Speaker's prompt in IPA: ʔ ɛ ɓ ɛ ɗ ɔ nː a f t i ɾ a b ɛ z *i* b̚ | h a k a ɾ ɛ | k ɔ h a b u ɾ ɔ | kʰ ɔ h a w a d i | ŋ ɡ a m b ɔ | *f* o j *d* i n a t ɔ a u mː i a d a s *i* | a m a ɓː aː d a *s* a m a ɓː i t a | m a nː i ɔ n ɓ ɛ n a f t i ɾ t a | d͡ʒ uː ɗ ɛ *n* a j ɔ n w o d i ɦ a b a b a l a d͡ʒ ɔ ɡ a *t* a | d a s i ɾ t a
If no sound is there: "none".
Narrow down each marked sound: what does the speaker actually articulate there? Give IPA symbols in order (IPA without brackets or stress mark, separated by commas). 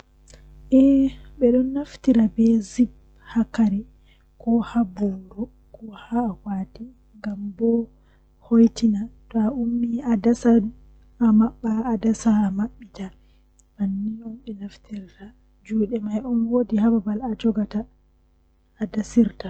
i, h, t, a, s, m, t